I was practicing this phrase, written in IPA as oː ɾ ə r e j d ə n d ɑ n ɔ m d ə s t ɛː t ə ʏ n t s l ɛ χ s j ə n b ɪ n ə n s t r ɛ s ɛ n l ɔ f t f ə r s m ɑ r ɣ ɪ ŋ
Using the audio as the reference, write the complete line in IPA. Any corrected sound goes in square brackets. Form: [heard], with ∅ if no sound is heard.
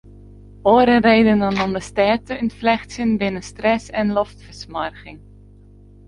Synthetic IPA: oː ɾ ə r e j d ə n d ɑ n ɔ m d ə s t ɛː t ə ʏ n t [f] l ɛ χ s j ə n b ɪ n ə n s t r ɛ s ɛ n l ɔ f t f ə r s m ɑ r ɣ ɪ ŋ